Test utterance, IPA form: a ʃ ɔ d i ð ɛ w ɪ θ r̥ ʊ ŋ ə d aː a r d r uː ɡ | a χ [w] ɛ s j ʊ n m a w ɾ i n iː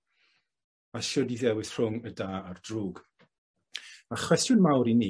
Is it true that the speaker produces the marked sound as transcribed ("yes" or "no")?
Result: yes